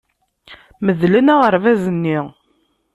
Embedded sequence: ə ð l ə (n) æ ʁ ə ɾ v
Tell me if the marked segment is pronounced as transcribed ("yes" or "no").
yes